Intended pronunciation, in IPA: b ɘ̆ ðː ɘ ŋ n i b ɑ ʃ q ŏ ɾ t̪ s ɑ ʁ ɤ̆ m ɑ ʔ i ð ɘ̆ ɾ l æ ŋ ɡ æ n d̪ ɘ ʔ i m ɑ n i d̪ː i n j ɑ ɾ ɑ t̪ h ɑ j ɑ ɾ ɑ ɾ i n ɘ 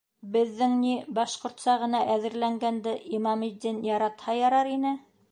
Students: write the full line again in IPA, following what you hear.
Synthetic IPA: b ɘ̆ ðː ɘ ŋ n i b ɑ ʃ q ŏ ɾ t̪ s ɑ ʁ ɤ̆ n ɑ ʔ æ ð ɘ̆ ɾ l æ ŋ ɡ æ n d̪ ɘ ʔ i m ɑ m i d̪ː i n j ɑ ɾ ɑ t̪ h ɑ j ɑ ɾ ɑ ɾ i n ɘ